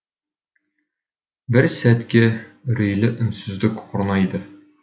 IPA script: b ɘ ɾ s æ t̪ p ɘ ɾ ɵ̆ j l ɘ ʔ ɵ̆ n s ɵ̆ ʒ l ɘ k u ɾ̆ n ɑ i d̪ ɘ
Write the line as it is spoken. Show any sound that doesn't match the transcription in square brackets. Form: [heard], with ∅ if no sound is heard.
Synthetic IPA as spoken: b ɘ ɾ s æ t̪ [k] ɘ ɾ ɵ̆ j l ɘ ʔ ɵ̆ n s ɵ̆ [z] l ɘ k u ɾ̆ n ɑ i d̪ ɘ